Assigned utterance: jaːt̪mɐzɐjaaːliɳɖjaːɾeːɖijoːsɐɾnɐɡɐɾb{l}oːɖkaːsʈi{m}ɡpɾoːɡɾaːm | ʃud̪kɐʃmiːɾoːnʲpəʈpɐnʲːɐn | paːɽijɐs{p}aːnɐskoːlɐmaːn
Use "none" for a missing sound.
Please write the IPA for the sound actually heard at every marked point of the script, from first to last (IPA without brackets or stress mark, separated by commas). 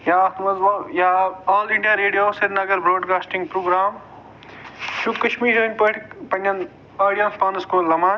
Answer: ɾ, ŋ, p